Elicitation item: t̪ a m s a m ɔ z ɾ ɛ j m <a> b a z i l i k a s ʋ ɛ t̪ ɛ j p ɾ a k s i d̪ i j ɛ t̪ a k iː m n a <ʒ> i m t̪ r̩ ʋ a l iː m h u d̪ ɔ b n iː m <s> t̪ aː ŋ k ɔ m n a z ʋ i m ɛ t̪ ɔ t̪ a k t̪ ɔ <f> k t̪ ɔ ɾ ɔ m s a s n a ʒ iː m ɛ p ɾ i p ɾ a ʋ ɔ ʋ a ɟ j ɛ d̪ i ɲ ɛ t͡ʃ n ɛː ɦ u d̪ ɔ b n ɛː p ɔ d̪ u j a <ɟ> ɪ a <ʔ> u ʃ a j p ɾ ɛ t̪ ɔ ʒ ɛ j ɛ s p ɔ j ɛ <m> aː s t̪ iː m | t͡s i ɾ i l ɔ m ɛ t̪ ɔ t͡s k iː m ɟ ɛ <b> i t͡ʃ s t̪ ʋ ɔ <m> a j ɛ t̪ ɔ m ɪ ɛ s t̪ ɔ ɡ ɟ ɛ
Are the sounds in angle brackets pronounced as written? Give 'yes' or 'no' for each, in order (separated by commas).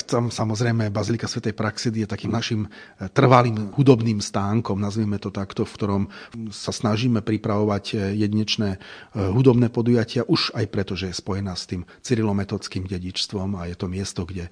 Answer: no, no, yes, yes, no, yes, no, no, yes